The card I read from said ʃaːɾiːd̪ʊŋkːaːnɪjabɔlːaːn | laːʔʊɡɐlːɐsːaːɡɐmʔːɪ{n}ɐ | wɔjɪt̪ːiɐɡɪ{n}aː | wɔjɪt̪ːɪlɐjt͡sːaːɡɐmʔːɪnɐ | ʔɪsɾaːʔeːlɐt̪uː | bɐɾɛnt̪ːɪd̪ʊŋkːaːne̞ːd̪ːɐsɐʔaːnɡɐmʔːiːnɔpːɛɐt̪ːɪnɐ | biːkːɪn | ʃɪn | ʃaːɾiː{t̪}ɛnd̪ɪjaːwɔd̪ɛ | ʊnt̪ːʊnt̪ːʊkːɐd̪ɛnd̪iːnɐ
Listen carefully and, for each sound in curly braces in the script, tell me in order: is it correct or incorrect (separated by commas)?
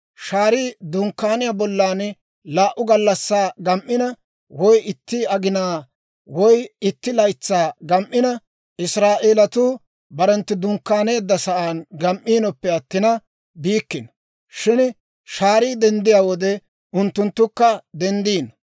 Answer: correct, correct, incorrect